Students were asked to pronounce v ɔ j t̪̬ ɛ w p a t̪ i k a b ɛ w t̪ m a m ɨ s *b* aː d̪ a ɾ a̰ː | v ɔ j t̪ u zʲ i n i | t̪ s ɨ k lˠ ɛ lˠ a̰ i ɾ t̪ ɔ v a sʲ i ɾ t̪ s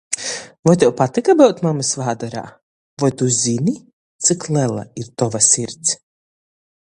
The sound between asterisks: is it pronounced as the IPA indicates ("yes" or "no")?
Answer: no